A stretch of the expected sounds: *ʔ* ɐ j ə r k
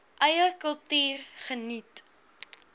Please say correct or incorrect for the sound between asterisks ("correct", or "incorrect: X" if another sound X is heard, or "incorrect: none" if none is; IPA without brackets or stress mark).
correct